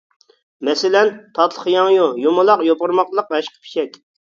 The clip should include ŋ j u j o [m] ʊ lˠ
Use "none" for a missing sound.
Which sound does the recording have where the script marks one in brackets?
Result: m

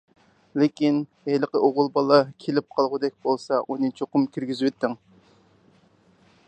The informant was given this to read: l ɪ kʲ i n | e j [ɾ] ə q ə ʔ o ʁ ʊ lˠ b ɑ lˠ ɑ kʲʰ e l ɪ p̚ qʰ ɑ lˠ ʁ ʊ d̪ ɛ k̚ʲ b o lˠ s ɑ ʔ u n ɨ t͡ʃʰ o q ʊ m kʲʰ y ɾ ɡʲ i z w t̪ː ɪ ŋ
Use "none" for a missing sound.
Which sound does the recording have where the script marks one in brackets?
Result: l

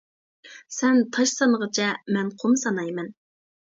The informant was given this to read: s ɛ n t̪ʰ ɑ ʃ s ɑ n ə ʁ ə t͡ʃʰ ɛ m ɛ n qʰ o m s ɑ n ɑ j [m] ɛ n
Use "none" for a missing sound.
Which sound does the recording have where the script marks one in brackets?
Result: m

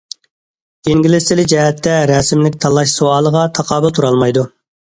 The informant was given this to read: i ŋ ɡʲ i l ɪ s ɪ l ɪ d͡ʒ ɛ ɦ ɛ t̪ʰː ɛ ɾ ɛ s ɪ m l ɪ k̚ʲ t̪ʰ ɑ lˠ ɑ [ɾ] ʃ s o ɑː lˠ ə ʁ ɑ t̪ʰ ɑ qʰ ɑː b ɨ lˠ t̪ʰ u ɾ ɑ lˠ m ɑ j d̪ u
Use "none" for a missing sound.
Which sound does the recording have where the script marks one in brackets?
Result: none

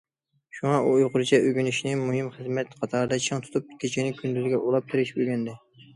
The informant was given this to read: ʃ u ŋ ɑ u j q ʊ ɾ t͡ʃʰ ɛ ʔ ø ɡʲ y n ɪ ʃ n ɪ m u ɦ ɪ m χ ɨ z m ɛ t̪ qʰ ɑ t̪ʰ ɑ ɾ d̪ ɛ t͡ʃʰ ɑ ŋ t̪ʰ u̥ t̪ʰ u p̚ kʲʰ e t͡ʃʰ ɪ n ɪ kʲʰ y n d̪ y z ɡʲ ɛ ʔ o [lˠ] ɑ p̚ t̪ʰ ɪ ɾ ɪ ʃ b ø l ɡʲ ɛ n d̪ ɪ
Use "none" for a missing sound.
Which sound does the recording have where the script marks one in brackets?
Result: lˠ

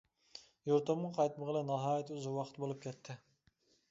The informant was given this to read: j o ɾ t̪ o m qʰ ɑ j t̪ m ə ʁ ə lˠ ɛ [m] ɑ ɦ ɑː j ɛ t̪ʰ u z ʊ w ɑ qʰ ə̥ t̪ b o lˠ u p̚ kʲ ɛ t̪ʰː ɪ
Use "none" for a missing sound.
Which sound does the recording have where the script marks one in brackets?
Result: n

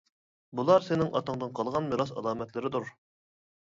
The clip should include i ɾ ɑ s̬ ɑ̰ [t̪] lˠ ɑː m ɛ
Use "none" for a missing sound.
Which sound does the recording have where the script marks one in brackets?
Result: none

